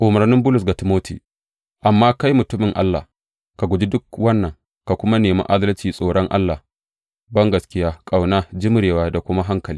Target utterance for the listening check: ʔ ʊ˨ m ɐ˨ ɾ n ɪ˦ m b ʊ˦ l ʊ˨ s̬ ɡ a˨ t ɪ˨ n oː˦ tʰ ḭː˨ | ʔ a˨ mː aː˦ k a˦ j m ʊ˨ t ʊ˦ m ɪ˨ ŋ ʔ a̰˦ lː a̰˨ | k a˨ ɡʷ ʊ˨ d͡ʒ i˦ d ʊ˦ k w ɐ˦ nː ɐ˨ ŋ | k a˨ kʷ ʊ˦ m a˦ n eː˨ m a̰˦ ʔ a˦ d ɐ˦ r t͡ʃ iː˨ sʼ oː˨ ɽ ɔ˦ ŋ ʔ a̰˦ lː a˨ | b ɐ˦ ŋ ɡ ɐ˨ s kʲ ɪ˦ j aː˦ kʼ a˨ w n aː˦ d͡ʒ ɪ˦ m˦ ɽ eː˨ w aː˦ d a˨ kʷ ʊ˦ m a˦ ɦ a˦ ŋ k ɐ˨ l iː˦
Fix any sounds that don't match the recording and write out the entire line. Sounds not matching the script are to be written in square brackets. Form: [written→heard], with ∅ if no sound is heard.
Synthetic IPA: ʔ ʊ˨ m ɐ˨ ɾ n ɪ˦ m b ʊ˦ l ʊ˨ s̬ ɡ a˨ t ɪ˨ [n→m] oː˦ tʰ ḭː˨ | ʔ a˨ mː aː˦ k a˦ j m ʊ˨ t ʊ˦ m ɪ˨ ŋ ʔ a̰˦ lː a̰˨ | k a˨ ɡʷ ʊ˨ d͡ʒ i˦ d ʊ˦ k w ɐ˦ nː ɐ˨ ŋ | k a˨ kʷ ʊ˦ m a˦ n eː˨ m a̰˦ ʔ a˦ d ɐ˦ [r→l] t͡ʃ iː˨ sʼ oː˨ ɽ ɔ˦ ŋ ʔ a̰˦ lː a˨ | b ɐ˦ ŋ ɡ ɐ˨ s kʲ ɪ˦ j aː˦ kʼ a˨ w n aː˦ d͡ʒ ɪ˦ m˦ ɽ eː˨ w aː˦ d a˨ kʷ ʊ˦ m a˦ ɦ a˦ ŋ k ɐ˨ l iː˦